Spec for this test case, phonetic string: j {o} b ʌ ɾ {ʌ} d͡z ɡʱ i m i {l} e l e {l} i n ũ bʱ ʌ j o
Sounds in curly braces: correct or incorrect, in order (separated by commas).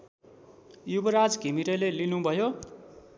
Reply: incorrect, incorrect, incorrect, correct